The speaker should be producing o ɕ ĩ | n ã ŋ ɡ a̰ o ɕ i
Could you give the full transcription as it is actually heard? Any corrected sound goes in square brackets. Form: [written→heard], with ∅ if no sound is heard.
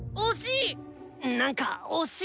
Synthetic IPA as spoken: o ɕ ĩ | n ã ŋ [ɡ→k] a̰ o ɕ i